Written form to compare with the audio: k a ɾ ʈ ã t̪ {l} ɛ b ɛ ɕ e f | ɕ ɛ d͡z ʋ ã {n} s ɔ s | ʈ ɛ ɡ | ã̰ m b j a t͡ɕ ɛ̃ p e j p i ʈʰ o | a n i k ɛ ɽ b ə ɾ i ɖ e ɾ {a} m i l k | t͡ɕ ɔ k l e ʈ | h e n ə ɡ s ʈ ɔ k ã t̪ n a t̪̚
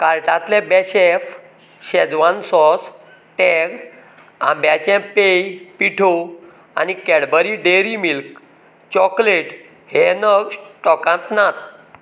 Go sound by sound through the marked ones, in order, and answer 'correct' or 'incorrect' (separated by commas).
correct, correct, incorrect